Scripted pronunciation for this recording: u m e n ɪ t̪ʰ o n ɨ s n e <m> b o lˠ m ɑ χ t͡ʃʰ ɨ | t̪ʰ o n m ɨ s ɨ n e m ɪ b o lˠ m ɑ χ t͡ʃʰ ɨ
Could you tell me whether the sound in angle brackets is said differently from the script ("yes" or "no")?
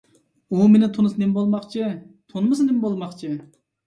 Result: no